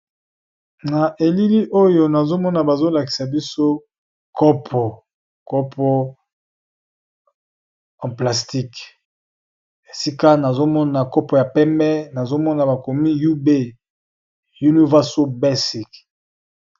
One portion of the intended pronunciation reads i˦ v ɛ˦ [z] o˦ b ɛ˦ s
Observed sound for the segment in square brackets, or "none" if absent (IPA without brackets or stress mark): s